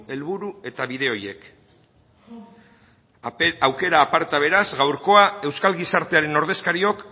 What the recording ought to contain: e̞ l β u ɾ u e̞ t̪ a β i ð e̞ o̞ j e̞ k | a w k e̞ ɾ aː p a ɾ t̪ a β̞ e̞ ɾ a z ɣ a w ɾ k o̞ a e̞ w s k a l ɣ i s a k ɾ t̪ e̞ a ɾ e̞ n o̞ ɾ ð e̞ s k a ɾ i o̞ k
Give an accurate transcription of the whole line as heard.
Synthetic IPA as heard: e̞ l β u ɾ u e̞ t̪ a β i ð e̞ o̞ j e̞ k | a w k e̞ ɾ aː p a ɾ t̪ a β̞ e̞ ɾ a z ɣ a w ɾ k o̞ a e̞ w s k a l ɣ i s a ɾ t̪ e̞ a ɾ e̞ n o̞ ɾ ð e̞ s k a ɾ i o̞ k

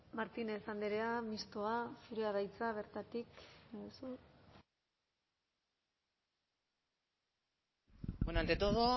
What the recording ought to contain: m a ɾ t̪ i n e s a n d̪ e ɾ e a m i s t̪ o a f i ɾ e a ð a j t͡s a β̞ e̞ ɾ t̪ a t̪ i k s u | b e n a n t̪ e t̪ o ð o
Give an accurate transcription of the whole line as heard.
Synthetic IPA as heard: m a ɾ t̪ i n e s a n d̪ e ɾ e a m i s t̪ o a f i ɾ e a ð a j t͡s a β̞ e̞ ɾ t̪ a t̪ i k s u | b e n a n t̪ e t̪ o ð o

